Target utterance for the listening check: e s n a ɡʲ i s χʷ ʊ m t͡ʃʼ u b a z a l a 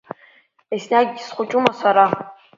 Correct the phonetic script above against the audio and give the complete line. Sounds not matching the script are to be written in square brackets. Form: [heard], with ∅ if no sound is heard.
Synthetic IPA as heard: e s n a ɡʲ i s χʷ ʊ [∅] t͡ʃʼ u [m] a [s] a [ɾ] a